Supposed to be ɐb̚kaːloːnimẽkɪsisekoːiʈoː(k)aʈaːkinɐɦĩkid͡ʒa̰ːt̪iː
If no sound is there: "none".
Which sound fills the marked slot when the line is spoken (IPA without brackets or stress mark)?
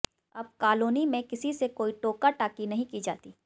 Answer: k